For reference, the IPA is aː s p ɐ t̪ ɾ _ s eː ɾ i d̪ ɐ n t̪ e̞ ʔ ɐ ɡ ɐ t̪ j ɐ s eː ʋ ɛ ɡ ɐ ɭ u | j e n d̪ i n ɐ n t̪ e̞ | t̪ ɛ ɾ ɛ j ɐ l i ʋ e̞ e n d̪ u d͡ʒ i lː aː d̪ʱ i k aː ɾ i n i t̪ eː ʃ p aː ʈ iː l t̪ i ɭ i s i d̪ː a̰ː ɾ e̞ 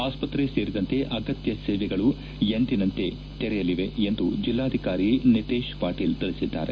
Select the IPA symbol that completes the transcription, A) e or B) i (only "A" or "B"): A